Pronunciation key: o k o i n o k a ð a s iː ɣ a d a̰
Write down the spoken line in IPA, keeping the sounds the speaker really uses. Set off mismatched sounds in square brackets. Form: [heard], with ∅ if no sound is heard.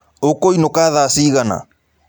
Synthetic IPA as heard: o k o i n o k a ð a s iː ɣ a [n] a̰